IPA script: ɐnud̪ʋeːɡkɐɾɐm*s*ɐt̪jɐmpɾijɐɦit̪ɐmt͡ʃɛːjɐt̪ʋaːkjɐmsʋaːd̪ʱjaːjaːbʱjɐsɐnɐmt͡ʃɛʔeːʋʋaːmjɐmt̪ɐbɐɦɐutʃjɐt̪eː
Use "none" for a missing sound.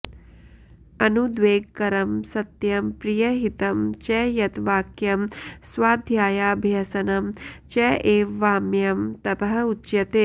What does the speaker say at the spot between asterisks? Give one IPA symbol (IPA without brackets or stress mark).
s